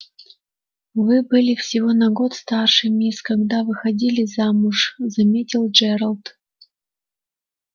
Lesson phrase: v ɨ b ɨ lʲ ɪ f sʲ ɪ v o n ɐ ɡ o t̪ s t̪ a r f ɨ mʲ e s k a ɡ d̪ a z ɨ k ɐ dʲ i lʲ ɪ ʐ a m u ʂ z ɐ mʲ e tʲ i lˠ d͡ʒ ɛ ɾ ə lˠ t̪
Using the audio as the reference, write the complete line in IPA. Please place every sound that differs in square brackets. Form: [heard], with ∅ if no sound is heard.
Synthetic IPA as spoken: v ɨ b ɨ lʲ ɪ f sʲ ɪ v o n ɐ ɡ o t̪ s t̪ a r [ʂ] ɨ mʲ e s k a ɡ d̪ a [v] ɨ [x] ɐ dʲ i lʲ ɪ [z] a m u ʂ z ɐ mʲ e tʲ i lˠ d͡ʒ ɛ ɾ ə lˠ t̪